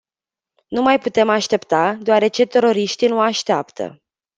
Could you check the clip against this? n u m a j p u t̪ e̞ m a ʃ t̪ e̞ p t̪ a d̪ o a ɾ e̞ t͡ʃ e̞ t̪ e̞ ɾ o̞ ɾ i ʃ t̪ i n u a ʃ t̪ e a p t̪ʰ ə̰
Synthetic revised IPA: n u m a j p u t̪ e̞ m a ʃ t̪ e̞ p t̪ a d̪ o a ɾ e̞ t͡ʃ e̞ t̪ e̞ ɾ o̞ ɾ i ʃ t̪ i n u a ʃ t̪ e a p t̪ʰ ə̰